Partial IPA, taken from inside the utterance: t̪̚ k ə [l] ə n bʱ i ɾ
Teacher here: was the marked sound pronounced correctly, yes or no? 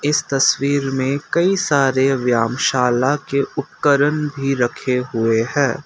no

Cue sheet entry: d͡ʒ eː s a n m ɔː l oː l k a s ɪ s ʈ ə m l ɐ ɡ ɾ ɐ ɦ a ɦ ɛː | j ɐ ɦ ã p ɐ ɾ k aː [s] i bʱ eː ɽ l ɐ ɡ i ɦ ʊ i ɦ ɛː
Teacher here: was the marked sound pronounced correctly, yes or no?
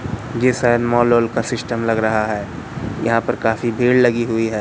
no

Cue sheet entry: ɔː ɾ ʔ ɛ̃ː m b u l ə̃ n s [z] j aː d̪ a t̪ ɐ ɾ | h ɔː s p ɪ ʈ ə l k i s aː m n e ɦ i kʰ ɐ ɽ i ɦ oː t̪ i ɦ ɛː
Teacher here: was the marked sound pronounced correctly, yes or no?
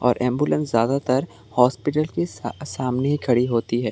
yes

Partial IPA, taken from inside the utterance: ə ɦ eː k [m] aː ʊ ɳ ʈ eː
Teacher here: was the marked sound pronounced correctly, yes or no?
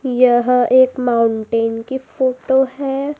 yes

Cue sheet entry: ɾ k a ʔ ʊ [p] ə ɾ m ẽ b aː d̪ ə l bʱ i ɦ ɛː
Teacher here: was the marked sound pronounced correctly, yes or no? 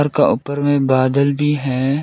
yes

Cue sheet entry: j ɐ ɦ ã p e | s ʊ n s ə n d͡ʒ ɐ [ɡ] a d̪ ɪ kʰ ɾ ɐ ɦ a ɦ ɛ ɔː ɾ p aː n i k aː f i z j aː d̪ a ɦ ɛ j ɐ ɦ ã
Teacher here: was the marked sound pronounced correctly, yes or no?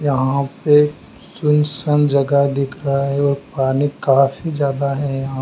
yes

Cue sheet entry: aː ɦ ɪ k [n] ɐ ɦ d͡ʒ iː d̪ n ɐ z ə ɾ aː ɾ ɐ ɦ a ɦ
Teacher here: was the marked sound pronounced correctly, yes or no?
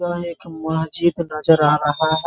no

